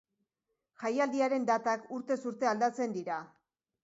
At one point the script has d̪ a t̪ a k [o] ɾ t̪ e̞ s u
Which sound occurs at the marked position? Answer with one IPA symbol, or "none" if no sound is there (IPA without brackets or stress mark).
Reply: u